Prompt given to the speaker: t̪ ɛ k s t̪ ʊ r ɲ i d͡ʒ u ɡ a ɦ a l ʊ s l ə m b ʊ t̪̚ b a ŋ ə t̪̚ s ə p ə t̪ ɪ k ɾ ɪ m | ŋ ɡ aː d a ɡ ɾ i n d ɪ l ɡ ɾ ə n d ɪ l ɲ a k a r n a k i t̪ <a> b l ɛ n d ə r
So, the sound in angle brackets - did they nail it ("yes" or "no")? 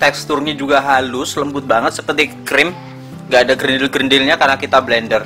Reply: yes